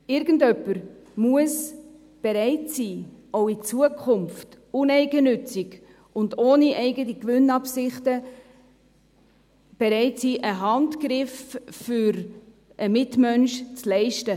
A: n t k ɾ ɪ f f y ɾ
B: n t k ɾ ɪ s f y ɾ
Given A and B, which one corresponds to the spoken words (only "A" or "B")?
A